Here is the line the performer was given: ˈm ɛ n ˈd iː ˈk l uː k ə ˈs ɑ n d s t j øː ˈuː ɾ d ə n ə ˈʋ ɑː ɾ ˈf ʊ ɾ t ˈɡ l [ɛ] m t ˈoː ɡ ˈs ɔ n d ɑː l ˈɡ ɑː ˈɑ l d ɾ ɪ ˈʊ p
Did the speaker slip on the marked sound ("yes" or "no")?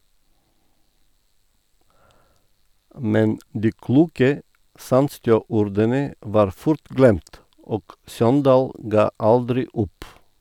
no